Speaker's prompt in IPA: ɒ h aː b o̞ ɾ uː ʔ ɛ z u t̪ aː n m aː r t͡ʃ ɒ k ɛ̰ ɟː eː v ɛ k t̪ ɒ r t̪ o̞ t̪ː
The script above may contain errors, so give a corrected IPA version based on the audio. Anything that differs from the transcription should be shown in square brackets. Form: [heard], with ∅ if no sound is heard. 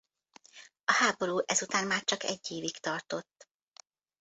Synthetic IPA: ɒ h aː b o̞ ɾ uː ʔ ɛ z u t̪ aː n m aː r t͡ʃ ɒ k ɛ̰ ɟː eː v [i] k t̪ ɒ r t̪ o̞ t̪ː